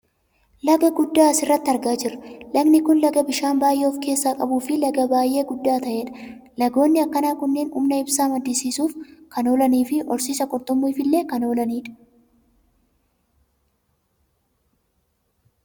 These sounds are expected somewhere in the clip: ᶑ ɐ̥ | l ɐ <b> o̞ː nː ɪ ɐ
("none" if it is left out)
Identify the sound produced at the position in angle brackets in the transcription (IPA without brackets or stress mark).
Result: ɡ